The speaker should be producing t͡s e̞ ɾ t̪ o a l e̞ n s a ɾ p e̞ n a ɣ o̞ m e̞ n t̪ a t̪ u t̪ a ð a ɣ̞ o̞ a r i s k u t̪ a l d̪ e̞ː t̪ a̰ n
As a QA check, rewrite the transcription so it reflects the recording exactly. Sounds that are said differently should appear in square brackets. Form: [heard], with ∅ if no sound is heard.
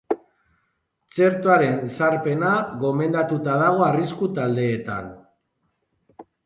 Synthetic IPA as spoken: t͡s e̞ ɾ t̪ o a [ɾ] e̞ n s a ɾ p e̞ n a ɣ o̞ m e̞ n [d̪] a t̪ u t̪ a ð a ɣ̞ o̞ a r i s k u t̪ a l d̪ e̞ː t̪ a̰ n